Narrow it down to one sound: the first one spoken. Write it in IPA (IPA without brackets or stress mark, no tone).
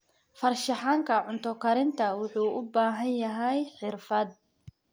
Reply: f